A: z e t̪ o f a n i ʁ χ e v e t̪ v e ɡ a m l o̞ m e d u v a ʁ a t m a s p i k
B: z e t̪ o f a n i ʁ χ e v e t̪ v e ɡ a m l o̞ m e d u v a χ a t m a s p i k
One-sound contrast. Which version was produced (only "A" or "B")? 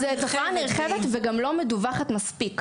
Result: B